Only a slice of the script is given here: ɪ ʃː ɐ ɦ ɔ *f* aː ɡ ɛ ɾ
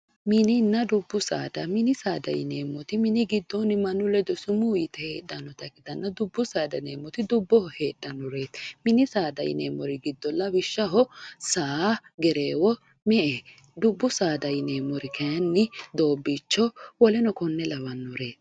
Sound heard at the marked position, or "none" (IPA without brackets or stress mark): s